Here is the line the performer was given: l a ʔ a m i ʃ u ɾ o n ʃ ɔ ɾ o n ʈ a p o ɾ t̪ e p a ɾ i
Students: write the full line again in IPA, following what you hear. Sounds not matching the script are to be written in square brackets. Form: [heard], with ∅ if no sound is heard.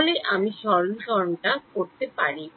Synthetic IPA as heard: l [e] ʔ a m i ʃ [ɔ] ɾ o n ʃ ɔ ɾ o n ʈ a [k] o ɾ t̪ e p a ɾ i